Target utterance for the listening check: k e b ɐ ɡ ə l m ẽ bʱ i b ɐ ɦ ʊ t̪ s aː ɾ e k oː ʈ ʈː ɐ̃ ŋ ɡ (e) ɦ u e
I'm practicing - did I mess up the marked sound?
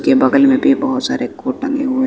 no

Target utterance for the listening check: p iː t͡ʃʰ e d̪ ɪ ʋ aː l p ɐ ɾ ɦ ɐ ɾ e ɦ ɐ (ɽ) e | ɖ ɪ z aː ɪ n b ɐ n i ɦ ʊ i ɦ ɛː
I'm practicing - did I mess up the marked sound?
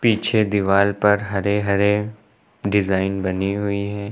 yes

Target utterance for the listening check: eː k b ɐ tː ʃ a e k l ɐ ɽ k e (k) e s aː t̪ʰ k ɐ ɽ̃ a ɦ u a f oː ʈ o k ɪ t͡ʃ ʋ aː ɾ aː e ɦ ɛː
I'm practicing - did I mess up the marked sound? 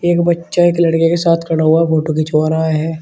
no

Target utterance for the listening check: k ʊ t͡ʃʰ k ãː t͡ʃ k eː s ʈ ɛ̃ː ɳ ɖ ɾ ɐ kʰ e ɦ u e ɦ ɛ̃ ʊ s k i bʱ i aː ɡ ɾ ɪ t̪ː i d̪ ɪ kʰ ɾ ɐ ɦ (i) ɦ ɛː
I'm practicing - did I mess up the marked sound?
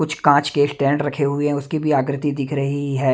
no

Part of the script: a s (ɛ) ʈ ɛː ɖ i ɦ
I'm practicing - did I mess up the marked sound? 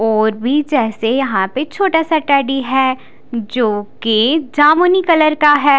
yes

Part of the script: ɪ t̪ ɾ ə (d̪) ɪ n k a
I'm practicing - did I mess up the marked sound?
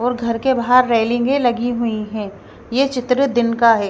no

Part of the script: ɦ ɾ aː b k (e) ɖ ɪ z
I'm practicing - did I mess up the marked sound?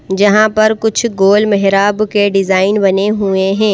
no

